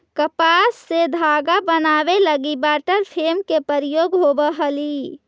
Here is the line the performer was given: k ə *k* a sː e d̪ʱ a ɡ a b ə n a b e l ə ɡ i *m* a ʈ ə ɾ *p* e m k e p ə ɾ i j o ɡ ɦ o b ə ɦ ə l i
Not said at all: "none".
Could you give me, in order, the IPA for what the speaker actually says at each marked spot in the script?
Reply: p, b, pʰ

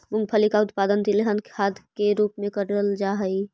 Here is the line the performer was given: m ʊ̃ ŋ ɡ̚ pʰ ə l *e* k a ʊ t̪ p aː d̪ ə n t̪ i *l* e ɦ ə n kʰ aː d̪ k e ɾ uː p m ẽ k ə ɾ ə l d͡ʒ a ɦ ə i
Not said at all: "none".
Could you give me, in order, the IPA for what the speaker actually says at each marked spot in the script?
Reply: i, l

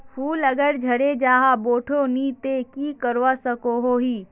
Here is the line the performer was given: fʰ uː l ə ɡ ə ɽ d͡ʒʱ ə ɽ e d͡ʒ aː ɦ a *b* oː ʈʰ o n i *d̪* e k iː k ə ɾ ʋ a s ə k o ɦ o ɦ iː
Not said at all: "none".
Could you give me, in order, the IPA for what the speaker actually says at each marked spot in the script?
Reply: b, t̪

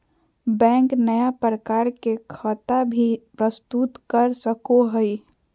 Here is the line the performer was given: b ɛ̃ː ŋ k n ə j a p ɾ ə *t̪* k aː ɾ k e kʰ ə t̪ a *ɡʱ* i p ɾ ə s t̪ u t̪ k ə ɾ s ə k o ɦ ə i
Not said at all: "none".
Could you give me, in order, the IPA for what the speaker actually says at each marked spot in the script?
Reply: none, bʱ

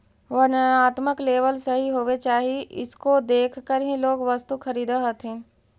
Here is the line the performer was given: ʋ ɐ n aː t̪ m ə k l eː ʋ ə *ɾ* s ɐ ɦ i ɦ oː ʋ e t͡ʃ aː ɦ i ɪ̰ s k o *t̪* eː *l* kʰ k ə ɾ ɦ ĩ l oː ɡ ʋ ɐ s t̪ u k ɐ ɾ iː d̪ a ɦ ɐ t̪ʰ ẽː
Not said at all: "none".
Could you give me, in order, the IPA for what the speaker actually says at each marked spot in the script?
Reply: l, d̪, none

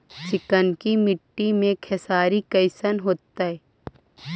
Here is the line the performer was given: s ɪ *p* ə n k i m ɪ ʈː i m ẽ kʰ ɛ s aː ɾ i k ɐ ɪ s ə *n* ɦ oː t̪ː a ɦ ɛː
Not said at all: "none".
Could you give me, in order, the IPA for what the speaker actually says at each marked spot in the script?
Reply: k, n

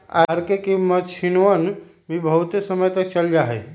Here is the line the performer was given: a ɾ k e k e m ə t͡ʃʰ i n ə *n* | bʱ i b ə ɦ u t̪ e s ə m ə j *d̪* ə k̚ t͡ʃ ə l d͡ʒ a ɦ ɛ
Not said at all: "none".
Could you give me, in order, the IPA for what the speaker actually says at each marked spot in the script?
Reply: n, t̪

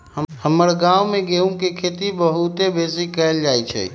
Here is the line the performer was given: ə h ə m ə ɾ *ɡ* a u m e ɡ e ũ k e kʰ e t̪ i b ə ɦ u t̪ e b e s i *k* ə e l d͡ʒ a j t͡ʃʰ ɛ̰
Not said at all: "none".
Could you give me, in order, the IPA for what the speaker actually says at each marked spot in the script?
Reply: ɡ, k

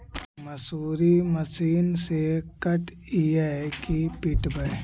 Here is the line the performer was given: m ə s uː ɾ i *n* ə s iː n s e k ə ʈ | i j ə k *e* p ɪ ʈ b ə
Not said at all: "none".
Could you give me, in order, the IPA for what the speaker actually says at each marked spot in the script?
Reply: m, i

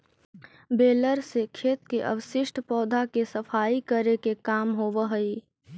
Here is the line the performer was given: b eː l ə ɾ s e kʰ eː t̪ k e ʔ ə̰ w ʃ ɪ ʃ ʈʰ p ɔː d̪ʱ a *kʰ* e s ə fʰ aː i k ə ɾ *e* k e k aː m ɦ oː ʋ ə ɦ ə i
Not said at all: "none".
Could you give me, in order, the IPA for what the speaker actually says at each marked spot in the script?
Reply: k, e

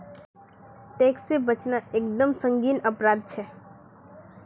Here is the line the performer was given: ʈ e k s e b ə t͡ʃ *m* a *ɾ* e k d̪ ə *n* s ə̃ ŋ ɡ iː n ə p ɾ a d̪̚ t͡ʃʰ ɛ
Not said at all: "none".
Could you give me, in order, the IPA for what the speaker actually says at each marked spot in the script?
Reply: n, none, m

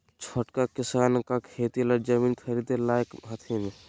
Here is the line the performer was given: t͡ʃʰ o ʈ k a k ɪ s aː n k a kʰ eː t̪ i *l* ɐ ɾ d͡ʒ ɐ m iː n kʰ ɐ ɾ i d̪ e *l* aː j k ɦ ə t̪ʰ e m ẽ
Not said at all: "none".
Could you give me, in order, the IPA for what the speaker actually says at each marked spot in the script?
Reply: l, l

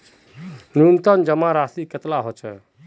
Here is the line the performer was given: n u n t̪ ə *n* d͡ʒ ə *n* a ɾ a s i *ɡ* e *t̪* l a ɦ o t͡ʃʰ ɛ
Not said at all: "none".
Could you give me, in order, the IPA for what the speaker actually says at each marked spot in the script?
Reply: n, m, k, t̪

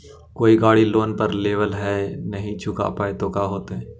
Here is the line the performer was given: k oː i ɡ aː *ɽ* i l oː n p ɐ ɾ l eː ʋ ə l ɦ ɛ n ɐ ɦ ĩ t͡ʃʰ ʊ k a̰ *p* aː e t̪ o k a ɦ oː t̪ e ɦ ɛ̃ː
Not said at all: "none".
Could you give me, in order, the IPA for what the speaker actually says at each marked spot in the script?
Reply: ɽ, p

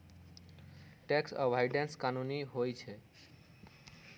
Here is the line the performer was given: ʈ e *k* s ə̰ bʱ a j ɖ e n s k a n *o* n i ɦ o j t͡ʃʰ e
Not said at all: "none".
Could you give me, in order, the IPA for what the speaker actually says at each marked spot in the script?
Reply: k, u

